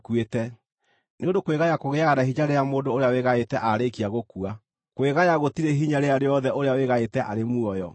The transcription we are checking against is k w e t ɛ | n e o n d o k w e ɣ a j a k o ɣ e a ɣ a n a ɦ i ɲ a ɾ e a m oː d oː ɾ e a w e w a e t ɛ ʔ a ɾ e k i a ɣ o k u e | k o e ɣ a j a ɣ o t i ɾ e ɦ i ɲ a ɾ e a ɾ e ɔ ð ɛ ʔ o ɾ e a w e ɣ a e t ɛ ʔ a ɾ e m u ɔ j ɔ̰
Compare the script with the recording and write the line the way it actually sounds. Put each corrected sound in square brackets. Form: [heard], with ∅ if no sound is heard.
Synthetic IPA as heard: k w e t ɛ | n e o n d o k w e ɣ a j a k o ɣ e a ɣ a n a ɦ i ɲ a ɾ e a m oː d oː ɾ e a w e [ɣ] a e t ɛ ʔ a ɾ e k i a ɣ o k u [a] | k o e ɣ a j a ɣ o t i ɾ e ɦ i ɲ a ɾ e a ɾ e ɔ ð ɛ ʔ o ɾ e a w e ɣ a e t ɛ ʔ a ɾ e m u ɔ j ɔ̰